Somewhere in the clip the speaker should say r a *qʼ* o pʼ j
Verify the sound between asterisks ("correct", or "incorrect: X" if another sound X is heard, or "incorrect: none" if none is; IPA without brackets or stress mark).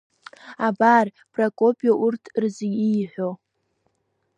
incorrect: kʼ